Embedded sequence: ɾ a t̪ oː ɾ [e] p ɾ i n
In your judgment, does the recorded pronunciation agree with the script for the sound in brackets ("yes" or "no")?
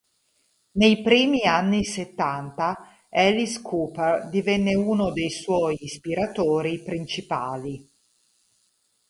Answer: no